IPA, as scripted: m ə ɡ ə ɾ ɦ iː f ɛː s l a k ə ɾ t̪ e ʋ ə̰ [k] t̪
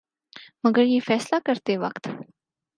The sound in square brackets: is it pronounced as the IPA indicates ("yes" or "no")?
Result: yes